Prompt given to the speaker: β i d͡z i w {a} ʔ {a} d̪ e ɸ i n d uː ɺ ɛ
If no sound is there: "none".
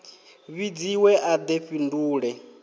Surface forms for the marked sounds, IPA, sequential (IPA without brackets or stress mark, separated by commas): ɛ, a